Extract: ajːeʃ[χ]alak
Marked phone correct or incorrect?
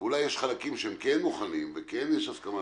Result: correct